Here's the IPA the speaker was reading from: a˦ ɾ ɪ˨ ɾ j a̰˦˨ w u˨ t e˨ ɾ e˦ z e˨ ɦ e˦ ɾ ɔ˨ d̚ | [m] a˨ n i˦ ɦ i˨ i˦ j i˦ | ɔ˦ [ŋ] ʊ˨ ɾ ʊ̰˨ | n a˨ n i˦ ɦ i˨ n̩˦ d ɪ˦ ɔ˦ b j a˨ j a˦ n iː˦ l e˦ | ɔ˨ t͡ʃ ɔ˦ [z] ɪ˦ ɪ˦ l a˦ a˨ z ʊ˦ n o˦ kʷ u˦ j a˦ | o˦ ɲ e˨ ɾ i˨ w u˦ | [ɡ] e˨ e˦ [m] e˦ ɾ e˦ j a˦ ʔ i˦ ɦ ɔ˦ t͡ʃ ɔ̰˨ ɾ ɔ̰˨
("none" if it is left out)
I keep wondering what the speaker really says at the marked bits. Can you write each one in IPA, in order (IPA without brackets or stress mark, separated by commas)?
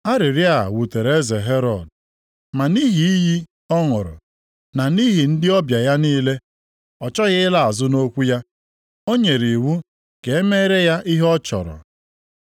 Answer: m, ŋ, ɣ, k, m